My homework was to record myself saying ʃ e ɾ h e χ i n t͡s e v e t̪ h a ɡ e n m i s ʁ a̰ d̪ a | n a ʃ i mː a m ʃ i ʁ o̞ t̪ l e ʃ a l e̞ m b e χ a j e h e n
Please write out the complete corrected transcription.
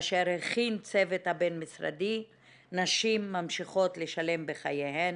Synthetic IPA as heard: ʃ e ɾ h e χ i n t͡s e v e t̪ h a b e n m i s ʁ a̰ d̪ i | n a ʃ i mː a m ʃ i χ o̞ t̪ l e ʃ a l e̞ m b e χ a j e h e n